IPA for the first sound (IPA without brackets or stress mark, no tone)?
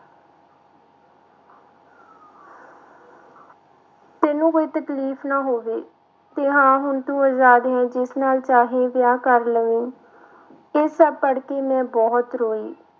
t̪